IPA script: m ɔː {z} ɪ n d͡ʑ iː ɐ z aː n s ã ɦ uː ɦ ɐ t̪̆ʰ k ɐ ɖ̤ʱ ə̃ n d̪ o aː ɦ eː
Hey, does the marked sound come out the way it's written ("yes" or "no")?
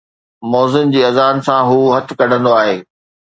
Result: yes